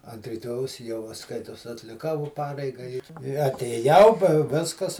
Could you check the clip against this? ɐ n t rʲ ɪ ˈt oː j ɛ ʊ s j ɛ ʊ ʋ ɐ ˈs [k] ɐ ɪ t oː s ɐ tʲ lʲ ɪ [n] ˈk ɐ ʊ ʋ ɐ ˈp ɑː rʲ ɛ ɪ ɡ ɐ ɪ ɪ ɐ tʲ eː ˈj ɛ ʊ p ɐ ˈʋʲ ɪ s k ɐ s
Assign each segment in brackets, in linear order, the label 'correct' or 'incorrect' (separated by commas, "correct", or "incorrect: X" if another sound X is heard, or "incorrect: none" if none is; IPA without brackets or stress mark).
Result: correct, incorrect: none